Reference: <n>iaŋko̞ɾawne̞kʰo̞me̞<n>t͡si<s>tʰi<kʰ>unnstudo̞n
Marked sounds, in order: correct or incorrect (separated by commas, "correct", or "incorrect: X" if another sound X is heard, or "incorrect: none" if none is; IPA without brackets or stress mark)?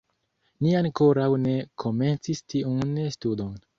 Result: correct, correct, correct, incorrect: none